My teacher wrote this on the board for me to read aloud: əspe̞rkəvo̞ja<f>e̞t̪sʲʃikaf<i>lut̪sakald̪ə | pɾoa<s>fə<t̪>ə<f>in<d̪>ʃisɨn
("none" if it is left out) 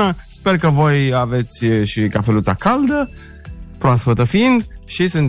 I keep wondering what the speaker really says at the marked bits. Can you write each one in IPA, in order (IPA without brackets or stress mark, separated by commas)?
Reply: v, e, s, t̪, f, d̪